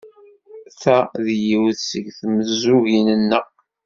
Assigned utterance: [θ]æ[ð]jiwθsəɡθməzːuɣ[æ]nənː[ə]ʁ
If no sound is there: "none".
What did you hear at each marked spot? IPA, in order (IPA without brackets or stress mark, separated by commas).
θ, ð, i, ə